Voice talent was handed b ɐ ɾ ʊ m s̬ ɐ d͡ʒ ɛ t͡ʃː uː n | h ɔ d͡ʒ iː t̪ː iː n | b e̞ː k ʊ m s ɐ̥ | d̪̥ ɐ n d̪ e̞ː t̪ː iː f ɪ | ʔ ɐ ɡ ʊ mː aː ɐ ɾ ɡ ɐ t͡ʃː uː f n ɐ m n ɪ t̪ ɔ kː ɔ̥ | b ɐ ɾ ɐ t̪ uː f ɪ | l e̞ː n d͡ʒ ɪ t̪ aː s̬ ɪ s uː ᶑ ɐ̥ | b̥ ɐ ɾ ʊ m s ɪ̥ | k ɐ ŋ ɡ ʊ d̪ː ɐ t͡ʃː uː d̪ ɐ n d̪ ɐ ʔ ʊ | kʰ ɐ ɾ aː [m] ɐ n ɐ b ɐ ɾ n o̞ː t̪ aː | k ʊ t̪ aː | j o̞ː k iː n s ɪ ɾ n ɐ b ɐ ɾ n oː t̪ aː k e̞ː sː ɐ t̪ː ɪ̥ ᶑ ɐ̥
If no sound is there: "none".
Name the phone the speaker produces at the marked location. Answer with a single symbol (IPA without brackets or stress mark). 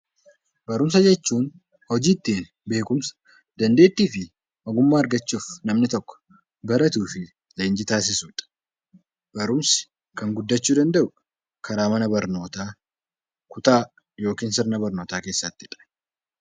m